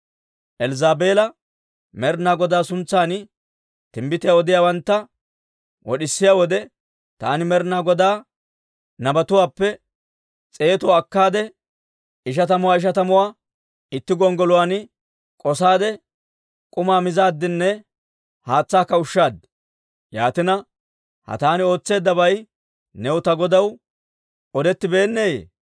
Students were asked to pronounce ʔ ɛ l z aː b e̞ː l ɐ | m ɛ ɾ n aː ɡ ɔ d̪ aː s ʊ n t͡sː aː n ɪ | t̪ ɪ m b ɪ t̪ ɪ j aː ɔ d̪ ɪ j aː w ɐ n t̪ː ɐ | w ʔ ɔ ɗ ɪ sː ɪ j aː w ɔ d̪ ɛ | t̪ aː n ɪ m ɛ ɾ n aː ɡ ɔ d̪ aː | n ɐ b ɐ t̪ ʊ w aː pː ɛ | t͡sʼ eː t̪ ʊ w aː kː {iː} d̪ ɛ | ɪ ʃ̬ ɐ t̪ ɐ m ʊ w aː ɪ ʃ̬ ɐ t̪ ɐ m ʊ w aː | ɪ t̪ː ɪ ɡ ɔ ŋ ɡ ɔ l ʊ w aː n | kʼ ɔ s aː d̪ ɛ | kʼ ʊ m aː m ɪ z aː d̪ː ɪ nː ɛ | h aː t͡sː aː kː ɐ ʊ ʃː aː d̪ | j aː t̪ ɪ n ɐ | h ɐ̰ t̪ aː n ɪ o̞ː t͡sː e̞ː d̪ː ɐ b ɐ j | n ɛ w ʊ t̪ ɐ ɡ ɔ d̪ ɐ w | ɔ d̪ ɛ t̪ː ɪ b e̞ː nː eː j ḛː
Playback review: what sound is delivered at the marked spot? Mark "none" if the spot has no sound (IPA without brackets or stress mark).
aː